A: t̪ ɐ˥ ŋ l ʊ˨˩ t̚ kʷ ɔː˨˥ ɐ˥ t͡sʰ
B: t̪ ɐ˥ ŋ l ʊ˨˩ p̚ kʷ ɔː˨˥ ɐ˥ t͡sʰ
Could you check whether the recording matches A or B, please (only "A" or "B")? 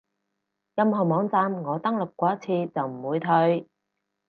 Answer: B